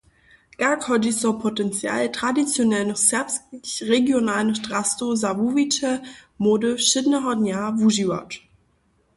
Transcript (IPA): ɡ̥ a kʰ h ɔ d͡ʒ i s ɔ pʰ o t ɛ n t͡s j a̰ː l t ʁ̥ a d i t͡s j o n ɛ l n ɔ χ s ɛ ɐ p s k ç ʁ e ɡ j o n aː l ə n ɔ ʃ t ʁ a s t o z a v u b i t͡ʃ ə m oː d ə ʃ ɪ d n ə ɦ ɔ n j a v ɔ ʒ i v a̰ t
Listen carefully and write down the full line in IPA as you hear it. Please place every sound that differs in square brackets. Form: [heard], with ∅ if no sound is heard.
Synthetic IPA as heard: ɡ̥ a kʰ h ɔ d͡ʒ i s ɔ pʰ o t ɛ n t͡s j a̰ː l t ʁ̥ a d i t͡s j o n ɛ l n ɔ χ s ɛ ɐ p s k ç ʁ e ɡ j o n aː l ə n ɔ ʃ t ʁ a s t o z a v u [v] i t͡ʃ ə m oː d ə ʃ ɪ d n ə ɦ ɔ n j a v [u] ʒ i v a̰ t